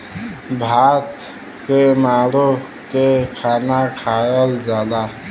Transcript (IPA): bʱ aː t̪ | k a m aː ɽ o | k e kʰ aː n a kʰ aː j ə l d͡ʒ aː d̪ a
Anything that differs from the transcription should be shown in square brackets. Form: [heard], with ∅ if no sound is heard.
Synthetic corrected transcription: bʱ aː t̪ | k [e] m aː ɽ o | k e kʰ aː n a kʰ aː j ə l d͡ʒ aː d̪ a